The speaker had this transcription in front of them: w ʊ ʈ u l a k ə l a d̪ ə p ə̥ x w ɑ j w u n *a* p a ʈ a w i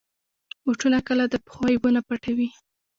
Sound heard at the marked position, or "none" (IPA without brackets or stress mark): a